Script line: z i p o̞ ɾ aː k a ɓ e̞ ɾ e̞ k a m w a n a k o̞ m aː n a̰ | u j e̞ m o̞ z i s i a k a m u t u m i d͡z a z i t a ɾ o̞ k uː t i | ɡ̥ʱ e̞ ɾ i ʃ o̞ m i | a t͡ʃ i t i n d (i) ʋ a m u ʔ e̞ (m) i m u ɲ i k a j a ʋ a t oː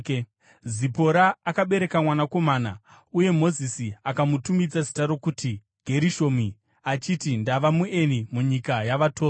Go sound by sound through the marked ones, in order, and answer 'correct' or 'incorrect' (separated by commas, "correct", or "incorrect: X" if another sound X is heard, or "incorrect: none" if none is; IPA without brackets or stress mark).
incorrect: a, incorrect: n